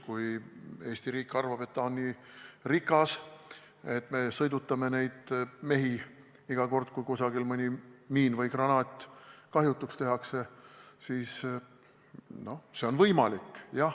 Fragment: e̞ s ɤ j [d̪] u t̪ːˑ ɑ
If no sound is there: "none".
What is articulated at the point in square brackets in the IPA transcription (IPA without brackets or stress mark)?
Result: d̪